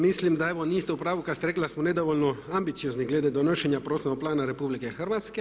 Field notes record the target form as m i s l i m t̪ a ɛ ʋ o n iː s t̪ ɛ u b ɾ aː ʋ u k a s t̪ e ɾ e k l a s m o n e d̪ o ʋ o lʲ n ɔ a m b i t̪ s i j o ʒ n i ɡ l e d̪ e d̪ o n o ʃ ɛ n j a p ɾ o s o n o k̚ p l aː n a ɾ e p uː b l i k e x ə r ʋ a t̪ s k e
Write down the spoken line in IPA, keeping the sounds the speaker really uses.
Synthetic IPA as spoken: m i s l i m d̪ a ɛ ʋ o n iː s t̪ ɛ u p ɾ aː ʋ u k a s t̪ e ɾ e k l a s m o n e d̪ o ʋ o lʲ n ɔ a m b i t̪ s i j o z n i ɡ l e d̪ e d̪ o n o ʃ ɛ n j a p ɾ o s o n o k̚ p l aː n a ɾ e p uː b l i k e x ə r ʋ a t̪ s k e